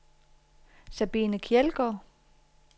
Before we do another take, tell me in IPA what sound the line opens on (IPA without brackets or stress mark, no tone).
s